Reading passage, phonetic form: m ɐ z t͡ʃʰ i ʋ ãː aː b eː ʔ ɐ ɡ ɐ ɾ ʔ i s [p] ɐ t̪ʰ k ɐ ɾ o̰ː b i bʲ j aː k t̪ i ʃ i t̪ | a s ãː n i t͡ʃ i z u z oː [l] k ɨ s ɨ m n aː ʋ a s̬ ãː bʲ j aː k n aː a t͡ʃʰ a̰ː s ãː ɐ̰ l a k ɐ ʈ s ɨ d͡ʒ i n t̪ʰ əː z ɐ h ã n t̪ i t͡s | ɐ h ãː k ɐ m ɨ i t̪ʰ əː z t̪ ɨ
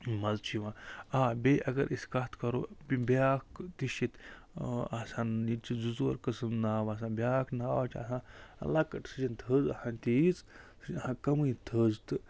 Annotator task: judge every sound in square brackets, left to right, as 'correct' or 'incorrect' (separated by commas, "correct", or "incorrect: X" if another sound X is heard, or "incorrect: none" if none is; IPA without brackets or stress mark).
incorrect: k, incorrect: ɾ